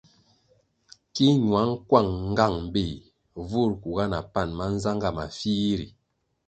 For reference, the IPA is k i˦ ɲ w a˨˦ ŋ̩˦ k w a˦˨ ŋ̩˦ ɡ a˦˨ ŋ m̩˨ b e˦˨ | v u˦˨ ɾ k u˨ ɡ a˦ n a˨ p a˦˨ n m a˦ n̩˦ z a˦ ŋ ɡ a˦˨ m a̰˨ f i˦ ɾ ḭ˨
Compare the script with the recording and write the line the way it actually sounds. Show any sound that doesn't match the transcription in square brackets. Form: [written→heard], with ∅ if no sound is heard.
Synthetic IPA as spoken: k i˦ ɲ w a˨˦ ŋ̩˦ k w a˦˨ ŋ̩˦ ɡ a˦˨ ŋ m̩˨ b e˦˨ | v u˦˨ ɾ k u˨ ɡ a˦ n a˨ p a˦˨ n m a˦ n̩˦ z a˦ ŋ ɡ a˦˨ m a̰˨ f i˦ ɾ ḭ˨

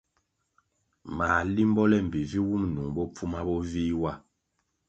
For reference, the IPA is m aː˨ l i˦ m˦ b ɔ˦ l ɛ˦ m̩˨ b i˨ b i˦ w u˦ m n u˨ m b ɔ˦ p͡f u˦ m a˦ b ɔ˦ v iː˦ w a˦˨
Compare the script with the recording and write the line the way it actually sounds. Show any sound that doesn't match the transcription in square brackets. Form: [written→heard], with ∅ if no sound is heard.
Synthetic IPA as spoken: m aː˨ l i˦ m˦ b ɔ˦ l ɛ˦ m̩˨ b i˨ [b→v] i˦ w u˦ m n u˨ [m→ŋ] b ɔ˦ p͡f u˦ m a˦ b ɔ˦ v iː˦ w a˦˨

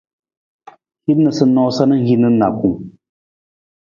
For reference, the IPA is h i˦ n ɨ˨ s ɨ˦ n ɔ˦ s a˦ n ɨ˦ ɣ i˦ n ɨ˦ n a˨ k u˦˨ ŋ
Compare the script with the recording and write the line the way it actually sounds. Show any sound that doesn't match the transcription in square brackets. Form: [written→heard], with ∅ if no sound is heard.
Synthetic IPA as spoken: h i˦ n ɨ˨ s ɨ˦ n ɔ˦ s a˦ n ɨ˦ ɣ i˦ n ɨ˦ n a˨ k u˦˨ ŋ

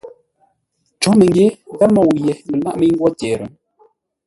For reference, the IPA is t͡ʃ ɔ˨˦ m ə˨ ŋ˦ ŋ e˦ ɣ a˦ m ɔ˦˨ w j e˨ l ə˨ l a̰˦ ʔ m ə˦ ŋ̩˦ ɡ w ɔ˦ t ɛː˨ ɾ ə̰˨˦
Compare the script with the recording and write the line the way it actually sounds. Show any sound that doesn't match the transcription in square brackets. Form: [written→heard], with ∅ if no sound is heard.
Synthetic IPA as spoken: t͡ʃ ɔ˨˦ m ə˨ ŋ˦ [ŋ→ɡ] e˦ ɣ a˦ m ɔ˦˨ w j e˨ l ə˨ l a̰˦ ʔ m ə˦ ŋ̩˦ ɡ w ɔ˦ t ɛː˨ ɾ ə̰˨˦

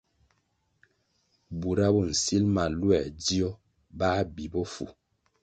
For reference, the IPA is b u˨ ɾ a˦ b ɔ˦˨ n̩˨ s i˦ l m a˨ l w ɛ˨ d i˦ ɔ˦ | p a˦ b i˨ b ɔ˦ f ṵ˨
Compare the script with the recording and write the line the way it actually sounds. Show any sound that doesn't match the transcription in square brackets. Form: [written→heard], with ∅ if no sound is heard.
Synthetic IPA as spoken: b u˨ ɾ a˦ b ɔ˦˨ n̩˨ s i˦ l m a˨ l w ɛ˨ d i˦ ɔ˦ | [p→b] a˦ b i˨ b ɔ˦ f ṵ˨

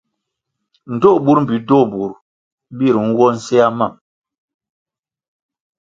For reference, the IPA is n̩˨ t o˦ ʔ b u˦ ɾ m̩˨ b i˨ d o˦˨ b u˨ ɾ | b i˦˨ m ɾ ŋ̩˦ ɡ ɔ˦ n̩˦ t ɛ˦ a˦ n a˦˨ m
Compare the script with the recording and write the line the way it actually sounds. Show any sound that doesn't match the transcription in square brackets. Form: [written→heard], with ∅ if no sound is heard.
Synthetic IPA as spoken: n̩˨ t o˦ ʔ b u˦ ɾ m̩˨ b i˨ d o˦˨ b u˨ ɾ | b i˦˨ [m→∅] ɾ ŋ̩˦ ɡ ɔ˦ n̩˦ [t→s] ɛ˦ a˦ [n→m] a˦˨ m

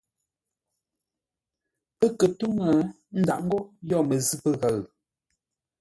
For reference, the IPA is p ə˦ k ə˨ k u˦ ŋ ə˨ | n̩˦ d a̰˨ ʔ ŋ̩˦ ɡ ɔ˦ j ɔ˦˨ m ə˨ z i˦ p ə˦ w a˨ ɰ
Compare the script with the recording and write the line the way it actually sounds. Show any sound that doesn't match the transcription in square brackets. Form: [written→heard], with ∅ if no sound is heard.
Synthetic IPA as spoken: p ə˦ k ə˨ [k→t] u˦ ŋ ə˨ | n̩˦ d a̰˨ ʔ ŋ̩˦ ɡ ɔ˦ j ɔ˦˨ m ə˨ z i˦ p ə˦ [w→ɣ] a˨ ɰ

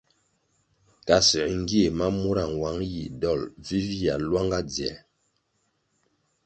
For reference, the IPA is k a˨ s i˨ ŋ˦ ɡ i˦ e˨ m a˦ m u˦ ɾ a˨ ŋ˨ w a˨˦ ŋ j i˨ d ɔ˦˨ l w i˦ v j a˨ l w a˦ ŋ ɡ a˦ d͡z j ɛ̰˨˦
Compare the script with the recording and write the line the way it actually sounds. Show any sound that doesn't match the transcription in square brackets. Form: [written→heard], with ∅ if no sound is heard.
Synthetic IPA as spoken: k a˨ s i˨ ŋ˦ ɡ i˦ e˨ m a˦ m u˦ ɾ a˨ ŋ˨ w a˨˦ ŋ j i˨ d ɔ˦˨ l [w→v] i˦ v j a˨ l w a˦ ŋ ɡ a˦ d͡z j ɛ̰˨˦

